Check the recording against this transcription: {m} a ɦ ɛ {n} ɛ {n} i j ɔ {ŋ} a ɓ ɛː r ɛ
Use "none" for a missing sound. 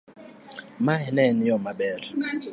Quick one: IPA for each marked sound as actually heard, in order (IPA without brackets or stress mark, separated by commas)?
m, n, n, m